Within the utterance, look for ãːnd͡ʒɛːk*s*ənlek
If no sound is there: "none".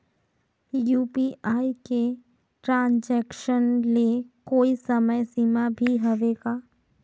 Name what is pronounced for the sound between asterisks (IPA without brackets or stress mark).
ʃ